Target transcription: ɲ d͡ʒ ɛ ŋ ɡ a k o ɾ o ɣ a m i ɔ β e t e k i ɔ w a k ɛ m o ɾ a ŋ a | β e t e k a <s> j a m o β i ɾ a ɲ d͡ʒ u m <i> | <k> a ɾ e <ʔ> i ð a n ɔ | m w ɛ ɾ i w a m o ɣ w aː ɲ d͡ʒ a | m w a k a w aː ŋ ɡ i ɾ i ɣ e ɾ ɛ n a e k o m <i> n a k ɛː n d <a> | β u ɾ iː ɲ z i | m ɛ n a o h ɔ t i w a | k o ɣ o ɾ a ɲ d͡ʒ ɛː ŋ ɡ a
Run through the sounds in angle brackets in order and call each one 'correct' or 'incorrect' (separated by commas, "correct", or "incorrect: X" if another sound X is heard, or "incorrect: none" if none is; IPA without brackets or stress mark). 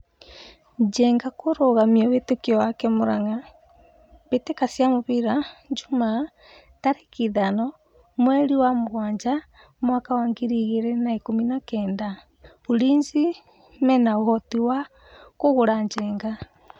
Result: correct, incorrect: a, incorrect: t, incorrect: k, correct, correct